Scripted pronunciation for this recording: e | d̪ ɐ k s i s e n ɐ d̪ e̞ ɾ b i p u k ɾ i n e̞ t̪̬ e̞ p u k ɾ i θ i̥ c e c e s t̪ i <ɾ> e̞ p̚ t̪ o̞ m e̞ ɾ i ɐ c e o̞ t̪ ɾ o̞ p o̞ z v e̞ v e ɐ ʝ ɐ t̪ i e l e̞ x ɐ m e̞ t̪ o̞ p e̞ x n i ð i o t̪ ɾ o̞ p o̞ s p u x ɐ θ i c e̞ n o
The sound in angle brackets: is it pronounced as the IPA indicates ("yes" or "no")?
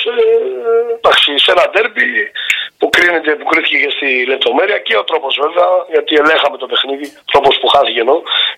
no